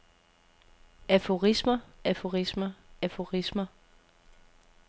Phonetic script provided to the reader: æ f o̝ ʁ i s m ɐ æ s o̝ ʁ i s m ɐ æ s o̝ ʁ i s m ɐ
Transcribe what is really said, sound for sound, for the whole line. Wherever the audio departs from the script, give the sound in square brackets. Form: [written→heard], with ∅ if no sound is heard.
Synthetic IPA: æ f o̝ ʁ i s m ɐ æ [s→f] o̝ ʁ i s m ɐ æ [s→f] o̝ ʁ i s m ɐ